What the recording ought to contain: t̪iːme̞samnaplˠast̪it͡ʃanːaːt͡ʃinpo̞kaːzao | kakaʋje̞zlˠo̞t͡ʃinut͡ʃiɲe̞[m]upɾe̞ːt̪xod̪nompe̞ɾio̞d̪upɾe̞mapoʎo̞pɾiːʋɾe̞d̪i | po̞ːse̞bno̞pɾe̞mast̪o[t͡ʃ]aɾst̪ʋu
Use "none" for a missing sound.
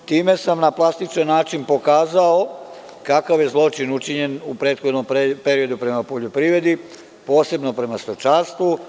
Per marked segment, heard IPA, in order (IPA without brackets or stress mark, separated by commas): n, t͡ʃ